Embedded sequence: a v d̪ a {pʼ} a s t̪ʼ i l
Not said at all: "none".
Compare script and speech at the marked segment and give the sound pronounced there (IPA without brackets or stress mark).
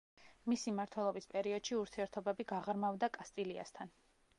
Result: kʼ